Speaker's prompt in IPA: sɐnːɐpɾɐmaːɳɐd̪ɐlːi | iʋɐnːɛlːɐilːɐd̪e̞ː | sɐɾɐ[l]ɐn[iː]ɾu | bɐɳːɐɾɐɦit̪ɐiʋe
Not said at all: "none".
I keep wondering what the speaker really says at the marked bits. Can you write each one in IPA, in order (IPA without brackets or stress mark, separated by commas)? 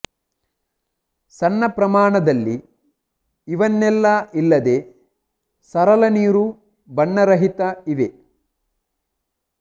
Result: l, iː